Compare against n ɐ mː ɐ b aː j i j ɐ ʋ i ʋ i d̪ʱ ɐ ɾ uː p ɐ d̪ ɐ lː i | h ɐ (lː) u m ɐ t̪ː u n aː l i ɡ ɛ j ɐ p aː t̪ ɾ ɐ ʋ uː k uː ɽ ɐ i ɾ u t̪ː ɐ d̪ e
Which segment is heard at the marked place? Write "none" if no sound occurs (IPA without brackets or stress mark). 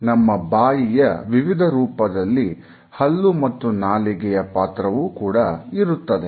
lː